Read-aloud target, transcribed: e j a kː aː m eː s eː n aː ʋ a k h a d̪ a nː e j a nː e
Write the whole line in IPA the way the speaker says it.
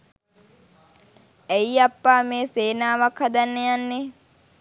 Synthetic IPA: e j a pː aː m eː s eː n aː ʋ a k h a d̪ a nː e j a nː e